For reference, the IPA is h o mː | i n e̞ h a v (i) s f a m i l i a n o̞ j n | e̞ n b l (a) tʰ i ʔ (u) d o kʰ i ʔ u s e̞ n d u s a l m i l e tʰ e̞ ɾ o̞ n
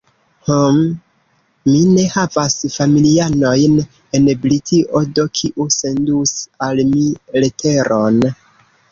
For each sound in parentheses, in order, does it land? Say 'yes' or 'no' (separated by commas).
no, no, no